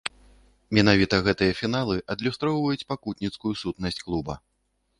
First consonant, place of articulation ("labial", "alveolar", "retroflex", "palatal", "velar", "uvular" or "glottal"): labial